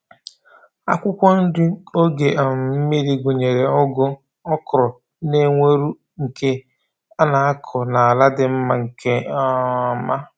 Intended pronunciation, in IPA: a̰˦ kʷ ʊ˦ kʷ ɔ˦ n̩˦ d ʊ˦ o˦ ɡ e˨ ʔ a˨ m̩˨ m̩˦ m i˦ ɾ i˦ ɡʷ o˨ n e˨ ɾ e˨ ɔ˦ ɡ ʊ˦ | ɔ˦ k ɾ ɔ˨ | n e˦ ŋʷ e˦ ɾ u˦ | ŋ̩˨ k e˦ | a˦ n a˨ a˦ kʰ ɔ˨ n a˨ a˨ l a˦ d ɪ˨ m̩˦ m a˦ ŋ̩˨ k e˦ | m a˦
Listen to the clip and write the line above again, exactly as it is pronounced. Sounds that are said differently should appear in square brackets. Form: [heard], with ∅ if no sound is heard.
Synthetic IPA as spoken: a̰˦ kʷ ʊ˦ kʷ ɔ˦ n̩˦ d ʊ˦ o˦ ɡ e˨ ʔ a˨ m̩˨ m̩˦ m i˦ ɾ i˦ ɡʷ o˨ [ɲ] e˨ ɾ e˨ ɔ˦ ɡ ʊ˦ | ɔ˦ k ɾ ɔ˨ | n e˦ ŋʷ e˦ ɾ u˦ | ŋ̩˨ k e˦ | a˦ n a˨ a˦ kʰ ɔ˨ n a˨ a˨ l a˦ d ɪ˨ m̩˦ m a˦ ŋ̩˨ k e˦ | m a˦